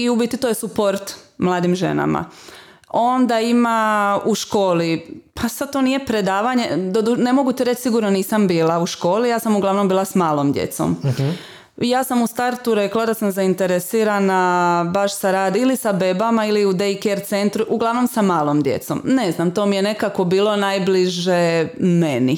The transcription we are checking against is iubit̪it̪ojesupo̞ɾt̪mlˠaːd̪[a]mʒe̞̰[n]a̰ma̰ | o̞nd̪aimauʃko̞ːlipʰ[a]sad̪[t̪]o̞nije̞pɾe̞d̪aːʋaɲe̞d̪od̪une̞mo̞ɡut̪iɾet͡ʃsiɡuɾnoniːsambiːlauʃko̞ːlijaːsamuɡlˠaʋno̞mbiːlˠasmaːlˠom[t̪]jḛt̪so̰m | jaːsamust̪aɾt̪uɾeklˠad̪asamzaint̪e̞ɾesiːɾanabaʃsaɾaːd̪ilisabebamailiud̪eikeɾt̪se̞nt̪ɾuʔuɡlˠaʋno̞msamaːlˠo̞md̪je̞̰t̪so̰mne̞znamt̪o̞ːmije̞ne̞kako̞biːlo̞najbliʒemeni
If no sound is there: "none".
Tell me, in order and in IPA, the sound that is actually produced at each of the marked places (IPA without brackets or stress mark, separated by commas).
i, n, a, t̪, d̪